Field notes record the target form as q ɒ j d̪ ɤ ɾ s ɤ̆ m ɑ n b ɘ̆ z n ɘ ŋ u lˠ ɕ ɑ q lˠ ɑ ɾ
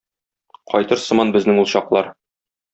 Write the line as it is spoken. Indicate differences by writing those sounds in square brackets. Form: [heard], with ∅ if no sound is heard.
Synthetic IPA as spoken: q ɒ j [t̪] ɤ ɾ s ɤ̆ m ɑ n b ɘ̆ z n ɘ ŋ u lˠ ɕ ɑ q lˠ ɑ ɾ